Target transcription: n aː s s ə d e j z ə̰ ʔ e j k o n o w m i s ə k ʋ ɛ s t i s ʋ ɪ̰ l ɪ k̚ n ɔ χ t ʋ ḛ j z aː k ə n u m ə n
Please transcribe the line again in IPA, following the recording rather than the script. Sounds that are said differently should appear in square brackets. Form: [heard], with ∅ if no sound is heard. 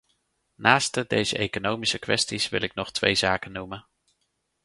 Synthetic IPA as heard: n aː s [t] ə d e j z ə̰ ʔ e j k o n o w m i s ə k ʋ ɛ s t i s ʋ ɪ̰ l ɪ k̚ n ɔ χ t ʋ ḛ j z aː k ə n u m ə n